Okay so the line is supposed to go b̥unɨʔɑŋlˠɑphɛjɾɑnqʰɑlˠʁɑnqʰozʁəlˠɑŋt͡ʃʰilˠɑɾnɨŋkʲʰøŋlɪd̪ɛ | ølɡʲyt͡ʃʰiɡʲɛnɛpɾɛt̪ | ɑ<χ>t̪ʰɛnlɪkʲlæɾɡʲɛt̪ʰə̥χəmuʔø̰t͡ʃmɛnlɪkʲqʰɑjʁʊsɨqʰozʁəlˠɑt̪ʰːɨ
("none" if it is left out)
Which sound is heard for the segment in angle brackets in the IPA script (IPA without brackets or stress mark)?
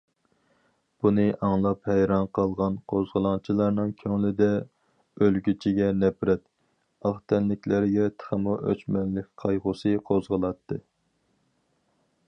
χ